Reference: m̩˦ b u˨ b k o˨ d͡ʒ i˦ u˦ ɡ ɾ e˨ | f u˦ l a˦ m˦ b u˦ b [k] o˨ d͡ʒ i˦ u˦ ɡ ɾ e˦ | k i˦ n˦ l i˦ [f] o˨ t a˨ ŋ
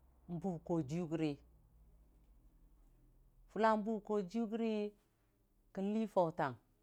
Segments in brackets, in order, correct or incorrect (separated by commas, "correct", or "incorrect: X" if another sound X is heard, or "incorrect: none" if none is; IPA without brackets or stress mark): correct, correct